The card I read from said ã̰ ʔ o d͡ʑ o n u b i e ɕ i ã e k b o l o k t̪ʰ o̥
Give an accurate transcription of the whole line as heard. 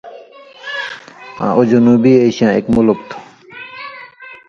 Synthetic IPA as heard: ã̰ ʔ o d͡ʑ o n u b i e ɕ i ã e k m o l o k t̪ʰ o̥